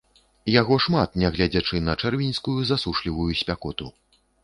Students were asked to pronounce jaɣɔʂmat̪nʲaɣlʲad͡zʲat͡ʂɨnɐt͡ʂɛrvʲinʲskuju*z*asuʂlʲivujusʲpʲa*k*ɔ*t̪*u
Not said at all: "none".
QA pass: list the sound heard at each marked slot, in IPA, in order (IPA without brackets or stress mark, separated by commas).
z, k, t̪